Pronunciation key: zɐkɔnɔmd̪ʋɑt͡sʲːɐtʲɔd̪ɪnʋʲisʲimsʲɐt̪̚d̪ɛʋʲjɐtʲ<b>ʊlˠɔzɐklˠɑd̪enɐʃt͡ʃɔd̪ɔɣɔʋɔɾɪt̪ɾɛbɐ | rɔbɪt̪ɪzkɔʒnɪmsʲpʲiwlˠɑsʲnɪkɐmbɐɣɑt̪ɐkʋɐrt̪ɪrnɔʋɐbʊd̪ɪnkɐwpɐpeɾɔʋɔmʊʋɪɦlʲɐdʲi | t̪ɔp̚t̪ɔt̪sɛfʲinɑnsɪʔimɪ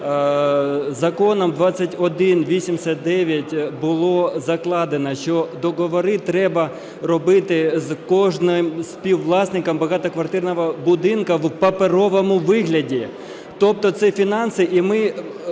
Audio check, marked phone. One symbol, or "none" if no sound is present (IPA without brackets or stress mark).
b